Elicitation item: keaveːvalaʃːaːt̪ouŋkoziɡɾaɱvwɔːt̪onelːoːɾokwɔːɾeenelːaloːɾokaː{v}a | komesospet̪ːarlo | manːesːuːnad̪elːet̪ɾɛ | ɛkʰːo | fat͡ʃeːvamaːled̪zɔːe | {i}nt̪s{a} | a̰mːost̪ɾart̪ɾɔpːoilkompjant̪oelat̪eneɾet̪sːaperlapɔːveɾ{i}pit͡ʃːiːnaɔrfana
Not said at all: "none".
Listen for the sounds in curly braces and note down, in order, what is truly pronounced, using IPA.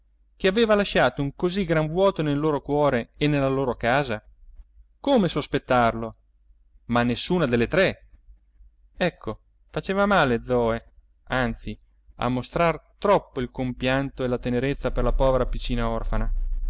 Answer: z, a, i, a

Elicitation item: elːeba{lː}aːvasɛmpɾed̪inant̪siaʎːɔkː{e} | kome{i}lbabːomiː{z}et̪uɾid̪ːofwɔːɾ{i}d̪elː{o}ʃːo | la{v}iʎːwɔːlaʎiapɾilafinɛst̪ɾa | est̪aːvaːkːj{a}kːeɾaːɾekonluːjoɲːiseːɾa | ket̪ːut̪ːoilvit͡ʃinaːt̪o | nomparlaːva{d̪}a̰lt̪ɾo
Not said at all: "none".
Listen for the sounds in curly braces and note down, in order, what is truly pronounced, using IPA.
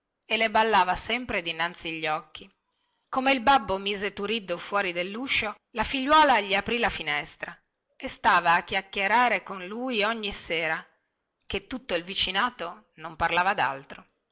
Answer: lː, i, i, z, i, u, f, a, d̪

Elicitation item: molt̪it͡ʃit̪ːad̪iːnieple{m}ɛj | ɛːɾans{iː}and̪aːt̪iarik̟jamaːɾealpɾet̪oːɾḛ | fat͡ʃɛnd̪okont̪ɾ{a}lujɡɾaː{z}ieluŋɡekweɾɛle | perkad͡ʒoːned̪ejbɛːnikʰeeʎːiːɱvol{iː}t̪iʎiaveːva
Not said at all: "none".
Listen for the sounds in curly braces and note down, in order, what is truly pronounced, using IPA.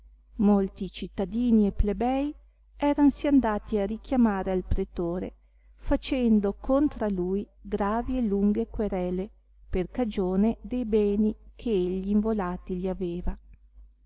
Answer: b, i, a, v, aː

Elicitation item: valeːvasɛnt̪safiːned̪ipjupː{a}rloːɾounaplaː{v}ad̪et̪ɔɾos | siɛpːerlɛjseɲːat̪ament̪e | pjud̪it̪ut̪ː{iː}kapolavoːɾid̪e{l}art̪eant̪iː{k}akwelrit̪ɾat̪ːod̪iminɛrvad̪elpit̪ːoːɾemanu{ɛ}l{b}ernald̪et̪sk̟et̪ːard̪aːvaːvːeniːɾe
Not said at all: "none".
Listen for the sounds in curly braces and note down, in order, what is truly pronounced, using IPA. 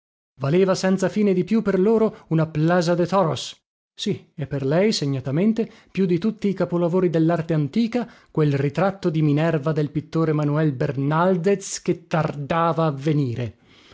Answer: e, z, iː, lː, k, ɛ, b

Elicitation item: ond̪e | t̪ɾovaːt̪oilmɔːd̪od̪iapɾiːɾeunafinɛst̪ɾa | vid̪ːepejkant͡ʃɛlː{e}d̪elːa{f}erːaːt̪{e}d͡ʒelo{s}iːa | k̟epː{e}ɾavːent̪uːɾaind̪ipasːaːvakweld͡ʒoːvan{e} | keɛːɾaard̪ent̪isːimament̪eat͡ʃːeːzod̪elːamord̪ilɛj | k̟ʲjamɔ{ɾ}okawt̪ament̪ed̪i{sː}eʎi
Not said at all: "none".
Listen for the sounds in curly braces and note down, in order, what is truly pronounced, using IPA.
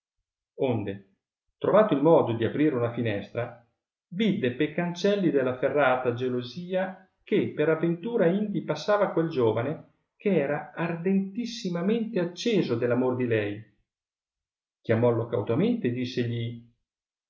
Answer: i, f, a, z, e, e, l, sː

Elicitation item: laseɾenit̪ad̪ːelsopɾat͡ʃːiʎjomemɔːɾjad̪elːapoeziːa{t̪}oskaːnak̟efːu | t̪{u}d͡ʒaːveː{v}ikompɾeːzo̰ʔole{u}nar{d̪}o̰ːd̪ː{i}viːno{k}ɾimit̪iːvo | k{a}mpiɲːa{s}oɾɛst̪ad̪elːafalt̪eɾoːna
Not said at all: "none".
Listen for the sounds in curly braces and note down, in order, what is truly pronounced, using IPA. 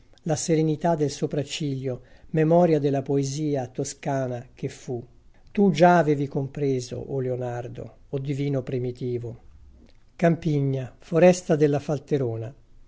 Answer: t̪, u, v, o, d̪, i, p, a, f

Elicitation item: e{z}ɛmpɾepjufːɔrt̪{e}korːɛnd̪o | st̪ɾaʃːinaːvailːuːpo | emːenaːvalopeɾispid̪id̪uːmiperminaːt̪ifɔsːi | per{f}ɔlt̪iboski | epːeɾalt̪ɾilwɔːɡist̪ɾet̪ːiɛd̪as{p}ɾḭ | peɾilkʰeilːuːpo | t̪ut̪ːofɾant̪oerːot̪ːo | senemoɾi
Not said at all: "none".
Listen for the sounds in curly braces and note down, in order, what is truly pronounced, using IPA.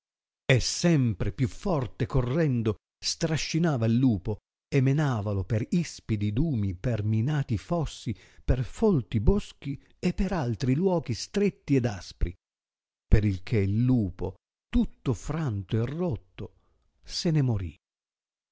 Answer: s, e, f, p

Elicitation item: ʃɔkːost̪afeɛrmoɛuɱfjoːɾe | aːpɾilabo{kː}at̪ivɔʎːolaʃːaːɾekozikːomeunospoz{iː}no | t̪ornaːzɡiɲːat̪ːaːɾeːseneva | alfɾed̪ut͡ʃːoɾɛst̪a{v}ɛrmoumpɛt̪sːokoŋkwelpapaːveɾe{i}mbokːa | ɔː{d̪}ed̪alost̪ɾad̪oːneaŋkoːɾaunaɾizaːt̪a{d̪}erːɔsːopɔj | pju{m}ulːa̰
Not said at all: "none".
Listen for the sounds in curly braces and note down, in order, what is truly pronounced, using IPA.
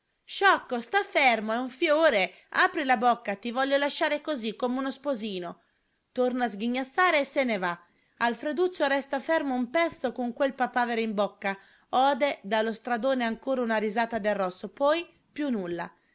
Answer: kː, iː, f, i, d̪, d̪, n

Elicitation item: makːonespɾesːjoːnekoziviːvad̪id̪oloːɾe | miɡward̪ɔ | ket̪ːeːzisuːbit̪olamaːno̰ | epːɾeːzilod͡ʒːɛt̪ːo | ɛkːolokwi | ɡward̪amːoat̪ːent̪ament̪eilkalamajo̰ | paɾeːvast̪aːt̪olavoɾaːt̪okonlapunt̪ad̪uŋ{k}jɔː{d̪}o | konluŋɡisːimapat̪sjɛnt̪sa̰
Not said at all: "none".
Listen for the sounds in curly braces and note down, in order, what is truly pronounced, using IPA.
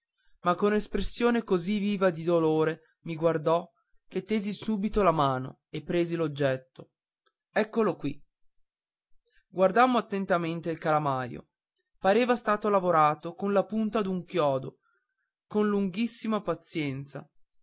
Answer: k, d̪

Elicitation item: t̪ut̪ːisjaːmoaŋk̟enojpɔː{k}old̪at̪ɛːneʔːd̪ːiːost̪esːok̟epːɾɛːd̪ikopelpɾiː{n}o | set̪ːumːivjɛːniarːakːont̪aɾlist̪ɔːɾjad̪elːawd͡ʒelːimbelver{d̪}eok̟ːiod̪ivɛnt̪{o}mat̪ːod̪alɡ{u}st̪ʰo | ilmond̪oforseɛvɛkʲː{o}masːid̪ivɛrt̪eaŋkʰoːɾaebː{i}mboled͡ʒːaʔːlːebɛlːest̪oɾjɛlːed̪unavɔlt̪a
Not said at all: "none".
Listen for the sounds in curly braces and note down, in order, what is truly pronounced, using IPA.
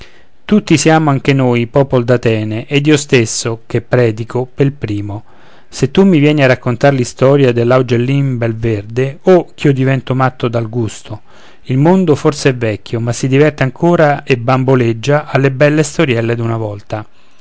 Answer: p, m, d̪, o, u, o, a

